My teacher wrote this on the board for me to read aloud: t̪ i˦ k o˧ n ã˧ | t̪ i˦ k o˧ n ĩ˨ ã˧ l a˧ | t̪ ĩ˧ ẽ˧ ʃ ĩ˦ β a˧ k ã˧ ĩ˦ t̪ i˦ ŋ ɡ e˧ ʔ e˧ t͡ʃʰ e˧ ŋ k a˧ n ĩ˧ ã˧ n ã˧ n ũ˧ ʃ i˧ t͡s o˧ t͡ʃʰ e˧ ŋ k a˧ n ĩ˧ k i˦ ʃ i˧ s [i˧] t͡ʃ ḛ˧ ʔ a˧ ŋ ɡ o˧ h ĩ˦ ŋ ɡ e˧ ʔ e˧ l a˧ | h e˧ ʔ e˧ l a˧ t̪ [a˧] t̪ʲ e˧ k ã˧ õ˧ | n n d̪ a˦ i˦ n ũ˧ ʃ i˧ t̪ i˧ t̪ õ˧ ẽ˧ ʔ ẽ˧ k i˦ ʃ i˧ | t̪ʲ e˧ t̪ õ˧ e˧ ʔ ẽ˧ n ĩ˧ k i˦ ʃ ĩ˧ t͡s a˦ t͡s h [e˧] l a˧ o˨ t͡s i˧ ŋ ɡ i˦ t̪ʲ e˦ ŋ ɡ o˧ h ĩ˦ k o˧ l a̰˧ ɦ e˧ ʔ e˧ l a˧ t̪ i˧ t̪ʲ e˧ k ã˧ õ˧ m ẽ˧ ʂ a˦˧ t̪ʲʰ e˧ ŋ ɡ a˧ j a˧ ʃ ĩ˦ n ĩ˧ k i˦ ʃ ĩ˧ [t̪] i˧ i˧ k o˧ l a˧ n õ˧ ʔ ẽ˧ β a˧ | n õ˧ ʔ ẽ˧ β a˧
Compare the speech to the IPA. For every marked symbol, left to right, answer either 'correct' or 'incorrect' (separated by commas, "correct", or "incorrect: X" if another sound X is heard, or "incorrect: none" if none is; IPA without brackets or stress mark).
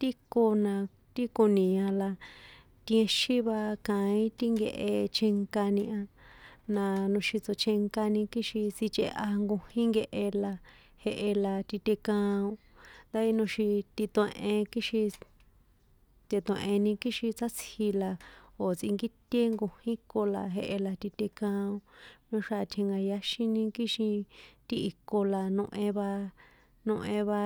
correct, incorrect: i˧, incorrect: i˧, correct